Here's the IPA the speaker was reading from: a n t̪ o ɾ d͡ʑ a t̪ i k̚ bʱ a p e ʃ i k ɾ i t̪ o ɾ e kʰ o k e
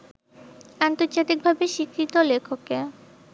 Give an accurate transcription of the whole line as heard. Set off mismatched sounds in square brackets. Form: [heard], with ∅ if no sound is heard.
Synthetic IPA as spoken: a n t̪ o ɾ d͡ʑ a t̪ i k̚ bʱ a [b] e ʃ i k ɾ i t̪ o [l] e kʰ o k e